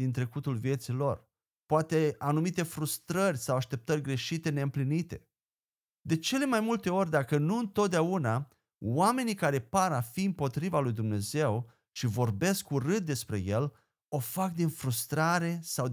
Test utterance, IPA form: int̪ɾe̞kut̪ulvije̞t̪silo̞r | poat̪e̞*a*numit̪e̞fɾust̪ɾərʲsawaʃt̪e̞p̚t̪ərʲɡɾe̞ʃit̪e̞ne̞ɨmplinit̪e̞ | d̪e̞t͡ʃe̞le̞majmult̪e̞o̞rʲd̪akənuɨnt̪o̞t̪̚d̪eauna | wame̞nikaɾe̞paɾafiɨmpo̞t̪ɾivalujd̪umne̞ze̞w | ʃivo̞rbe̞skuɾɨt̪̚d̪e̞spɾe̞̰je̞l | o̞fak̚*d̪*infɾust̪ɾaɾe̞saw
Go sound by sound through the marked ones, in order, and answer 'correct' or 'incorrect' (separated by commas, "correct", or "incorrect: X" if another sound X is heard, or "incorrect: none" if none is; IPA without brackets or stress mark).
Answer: correct, correct